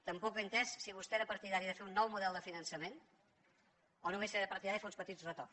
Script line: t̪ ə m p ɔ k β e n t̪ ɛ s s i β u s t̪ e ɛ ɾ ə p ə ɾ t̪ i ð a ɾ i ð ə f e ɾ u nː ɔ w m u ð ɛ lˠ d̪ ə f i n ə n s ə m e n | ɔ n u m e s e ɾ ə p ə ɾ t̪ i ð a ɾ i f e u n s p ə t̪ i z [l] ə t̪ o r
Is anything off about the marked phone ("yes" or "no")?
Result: yes